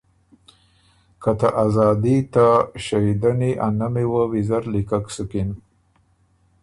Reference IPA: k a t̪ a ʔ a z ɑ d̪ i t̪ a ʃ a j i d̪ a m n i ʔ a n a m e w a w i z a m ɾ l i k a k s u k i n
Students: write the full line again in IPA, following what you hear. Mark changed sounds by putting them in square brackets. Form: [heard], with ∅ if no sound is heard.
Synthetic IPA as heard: k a t̪ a ʔ a z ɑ d̪ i t̪ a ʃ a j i d̪ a [∅] n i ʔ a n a m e w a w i z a [∅] ɾ l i k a k s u k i n